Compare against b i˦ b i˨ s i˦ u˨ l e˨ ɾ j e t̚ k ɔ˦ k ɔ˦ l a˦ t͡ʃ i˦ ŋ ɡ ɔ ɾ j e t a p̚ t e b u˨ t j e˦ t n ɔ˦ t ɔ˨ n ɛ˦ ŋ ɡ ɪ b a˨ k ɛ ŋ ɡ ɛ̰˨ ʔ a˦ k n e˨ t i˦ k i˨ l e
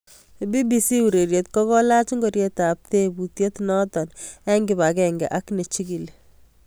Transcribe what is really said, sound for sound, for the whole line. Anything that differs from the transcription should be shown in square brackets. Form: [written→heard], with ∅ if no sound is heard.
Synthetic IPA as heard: b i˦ b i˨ s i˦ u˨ [l→ɾ] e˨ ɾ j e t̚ k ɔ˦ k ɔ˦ l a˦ t͡ʃ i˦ ŋ ɡ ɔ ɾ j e t a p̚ t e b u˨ t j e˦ t n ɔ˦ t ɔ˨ n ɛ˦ ŋ ɡ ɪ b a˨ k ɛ ŋ ɡ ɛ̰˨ ʔ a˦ k n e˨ [t→t͡ʃ] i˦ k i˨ l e